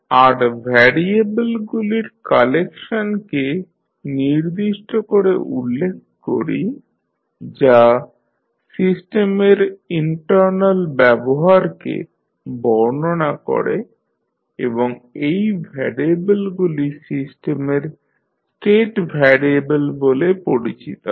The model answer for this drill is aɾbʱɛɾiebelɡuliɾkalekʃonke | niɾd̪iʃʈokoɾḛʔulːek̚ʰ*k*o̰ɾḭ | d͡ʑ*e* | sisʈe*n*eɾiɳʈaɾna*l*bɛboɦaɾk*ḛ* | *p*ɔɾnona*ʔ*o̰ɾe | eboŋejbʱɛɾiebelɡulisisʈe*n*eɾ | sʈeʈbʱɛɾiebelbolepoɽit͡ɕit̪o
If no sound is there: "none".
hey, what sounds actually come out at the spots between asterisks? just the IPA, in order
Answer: k, a, m, l, ḛ, b, k, m

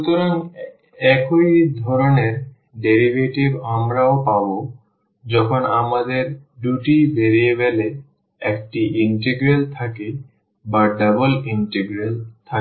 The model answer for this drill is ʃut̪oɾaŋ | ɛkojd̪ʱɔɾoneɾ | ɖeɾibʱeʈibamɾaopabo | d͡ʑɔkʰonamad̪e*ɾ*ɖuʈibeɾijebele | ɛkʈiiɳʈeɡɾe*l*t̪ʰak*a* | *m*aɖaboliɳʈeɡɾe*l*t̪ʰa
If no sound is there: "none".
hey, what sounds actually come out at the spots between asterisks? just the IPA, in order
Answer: ɾ, l, e, b, l

